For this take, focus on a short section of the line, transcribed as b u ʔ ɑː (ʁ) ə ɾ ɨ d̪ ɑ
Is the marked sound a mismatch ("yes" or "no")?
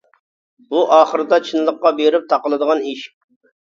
yes